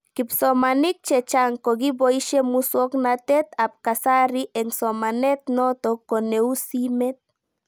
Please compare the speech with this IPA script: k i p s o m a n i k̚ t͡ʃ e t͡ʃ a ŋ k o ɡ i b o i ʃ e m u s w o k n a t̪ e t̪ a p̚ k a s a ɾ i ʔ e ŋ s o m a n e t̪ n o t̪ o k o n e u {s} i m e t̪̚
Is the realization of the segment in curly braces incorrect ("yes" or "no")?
no